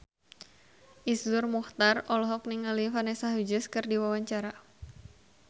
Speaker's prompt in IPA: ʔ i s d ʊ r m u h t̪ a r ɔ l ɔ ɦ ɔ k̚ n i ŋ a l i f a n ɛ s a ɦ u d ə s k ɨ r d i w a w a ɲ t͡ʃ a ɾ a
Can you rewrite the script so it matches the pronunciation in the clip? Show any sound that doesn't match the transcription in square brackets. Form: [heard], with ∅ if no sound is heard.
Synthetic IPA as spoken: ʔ i s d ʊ r m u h t̪ a r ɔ l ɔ ɦ ɔ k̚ n i ŋ a l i f a n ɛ s a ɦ u [d͡ʒ] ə s k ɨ r d i w a w a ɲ t͡ʃ a ɾ a